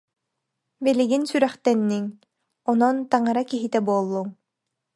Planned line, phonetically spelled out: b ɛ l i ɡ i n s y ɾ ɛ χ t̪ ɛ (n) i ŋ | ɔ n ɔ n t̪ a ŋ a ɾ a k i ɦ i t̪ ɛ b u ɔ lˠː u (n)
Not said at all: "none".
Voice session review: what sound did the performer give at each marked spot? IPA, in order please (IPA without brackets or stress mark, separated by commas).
nː, ŋ